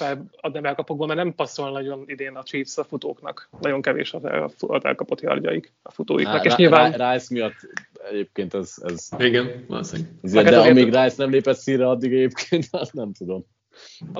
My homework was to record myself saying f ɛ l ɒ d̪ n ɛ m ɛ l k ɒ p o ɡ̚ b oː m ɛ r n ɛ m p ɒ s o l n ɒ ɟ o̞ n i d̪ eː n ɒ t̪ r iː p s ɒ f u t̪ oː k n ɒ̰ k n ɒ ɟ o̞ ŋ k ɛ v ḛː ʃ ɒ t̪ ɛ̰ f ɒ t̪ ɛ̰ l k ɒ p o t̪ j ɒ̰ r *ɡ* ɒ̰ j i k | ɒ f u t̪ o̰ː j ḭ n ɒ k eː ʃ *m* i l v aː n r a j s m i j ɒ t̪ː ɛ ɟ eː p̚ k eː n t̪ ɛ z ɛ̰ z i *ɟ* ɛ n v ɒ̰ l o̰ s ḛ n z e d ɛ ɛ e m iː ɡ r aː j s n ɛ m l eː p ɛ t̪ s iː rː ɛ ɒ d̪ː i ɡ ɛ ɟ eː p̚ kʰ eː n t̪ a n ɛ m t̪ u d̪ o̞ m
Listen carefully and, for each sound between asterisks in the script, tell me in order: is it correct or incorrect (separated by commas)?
incorrect, incorrect, incorrect